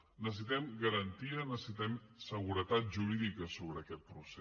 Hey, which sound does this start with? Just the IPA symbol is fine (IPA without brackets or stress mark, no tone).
n